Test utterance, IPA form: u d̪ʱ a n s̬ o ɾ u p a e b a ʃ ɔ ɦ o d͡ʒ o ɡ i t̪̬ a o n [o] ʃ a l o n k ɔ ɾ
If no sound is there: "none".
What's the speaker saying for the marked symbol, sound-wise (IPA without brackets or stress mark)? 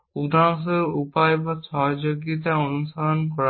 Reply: u